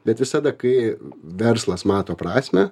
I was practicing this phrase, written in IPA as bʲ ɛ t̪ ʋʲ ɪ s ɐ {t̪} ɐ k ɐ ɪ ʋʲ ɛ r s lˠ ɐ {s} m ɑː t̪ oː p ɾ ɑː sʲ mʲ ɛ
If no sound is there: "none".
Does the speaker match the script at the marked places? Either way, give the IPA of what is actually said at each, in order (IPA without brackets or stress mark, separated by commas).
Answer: d̪, s